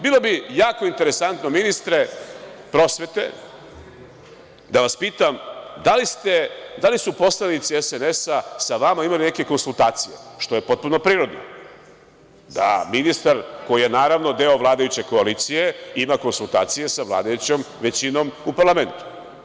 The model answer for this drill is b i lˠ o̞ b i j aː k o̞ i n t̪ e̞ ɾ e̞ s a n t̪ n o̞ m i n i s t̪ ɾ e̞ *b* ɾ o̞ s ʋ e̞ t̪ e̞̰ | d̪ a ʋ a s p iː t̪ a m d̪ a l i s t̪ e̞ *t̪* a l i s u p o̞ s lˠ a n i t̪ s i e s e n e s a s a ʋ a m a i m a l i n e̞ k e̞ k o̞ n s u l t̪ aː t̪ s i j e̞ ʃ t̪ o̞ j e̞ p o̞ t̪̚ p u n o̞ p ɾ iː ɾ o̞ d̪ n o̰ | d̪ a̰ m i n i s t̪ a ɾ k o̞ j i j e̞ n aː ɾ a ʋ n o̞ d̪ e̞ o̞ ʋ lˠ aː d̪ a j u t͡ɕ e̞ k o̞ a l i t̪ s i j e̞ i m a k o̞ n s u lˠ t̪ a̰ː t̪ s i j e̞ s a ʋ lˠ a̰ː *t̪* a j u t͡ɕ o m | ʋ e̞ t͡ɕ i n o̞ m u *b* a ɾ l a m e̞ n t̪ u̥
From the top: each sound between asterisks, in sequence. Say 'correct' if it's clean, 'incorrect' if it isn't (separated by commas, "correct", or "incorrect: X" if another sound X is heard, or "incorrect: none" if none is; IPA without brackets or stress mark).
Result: incorrect: p, incorrect: d̪, incorrect: d̪, incorrect: p